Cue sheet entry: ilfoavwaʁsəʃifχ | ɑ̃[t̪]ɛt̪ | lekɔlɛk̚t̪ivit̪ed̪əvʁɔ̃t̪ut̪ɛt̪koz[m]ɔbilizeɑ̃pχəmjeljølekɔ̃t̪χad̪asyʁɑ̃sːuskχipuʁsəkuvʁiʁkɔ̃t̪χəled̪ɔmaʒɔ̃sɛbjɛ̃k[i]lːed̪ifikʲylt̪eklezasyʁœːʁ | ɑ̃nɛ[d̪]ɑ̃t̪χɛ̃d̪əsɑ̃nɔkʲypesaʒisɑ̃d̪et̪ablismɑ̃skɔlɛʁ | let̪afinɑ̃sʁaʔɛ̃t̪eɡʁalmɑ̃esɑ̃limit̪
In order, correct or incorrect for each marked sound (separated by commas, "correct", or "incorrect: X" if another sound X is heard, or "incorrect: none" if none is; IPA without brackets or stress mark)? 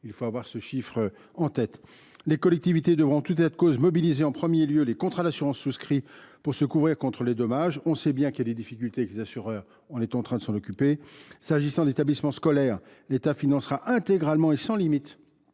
correct, correct, incorrect: ɛ, incorrect: t̪